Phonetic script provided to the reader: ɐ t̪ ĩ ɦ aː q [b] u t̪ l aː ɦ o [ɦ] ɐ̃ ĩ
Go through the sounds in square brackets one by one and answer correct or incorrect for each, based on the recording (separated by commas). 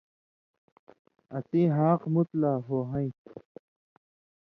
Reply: incorrect, correct